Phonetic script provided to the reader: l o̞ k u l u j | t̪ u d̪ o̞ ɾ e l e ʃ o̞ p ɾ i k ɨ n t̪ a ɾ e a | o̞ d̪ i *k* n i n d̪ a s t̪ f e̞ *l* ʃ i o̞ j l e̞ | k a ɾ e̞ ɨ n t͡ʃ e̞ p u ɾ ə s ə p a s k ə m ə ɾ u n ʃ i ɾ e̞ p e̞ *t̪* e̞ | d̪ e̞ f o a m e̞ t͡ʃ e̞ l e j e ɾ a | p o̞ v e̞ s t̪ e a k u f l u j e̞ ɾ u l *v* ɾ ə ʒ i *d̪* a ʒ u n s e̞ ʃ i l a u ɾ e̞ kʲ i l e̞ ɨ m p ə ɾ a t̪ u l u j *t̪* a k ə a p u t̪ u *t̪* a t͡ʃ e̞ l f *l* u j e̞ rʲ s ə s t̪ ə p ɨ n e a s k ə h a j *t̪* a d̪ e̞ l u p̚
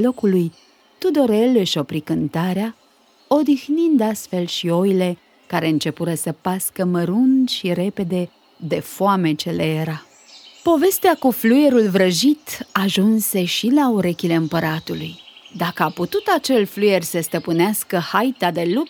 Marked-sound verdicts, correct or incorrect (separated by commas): incorrect, correct, incorrect, correct, incorrect, incorrect, correct, correct, correct